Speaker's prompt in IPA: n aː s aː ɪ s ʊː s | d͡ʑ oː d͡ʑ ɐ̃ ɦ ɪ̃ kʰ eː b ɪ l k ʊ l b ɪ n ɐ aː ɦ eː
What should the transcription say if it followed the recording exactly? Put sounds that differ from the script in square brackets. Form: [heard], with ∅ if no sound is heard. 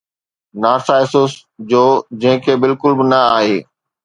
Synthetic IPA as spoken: n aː s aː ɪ s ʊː s | d͡ʑ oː d͡ʑ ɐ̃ ɦ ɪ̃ kʰ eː b ɪ l k ʊ l b ɪ n ɐ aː ɦ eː